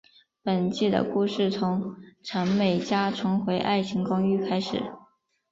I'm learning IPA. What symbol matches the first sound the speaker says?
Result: p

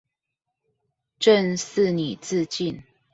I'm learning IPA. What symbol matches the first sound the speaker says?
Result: ʈ͡ʂ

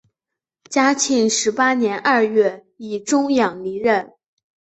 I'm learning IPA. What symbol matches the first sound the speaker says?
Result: t͡ɕ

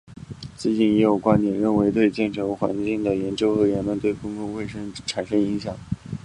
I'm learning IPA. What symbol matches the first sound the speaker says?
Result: t͡s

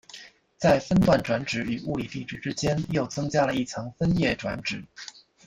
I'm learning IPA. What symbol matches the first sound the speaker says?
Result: t͡s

